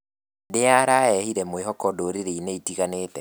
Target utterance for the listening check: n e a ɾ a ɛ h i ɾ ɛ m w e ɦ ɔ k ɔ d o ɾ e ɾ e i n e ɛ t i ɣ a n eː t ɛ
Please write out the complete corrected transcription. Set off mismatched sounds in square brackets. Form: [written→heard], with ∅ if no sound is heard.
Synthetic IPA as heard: [n→d] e a ɾ a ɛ h i ɾ ɛ m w e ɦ ɔ k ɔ d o ɾ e ɾ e i n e [ɛ→i] t i ɣ a n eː t ɛ